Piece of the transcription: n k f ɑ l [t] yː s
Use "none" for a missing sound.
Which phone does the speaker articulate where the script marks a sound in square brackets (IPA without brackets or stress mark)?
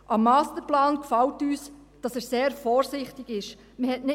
t